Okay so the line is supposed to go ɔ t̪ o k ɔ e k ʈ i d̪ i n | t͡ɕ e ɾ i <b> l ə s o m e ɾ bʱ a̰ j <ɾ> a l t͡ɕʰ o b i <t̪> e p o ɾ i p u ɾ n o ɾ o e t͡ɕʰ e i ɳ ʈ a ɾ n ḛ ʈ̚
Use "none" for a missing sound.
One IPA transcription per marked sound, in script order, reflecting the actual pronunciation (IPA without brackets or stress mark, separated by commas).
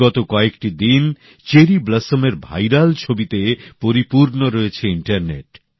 b, ɾ, t̪